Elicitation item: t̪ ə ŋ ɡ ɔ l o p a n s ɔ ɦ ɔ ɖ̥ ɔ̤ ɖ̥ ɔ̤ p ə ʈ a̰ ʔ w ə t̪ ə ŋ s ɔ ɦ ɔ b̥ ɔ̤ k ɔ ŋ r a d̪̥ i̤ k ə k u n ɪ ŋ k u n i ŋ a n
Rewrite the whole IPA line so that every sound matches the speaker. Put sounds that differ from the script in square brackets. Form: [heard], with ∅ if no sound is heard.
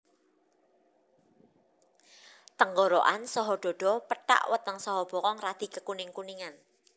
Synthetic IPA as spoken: t̪ ə ŋ ɡ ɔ [ɾ] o [ʔ] a n s ɔ ɦ ɔ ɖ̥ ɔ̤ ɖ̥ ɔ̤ p ə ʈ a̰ ʔ w ə t̪ ə ŋ s ɔ ɦ ɔ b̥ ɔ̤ k ɔ ŋ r a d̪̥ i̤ k ə k u n ɪ ŋ k u n i ŋ a n